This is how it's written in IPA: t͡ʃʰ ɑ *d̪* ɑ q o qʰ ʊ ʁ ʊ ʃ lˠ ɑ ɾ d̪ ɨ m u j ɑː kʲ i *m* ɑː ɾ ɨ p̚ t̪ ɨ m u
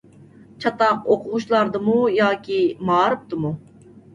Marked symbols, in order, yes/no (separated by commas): no, yes